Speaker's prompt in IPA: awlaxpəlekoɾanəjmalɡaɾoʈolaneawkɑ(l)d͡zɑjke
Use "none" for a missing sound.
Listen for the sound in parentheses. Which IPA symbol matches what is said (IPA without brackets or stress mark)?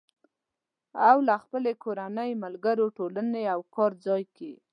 ɾ